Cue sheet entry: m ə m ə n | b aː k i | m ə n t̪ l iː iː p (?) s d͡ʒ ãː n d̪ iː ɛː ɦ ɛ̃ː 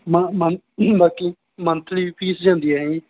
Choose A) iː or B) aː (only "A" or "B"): A